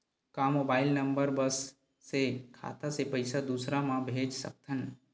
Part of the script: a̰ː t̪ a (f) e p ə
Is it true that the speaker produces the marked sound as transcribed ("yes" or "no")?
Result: no